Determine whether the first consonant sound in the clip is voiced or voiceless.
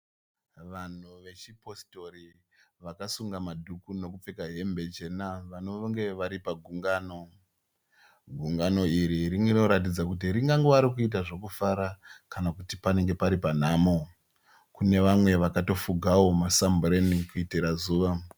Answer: voiced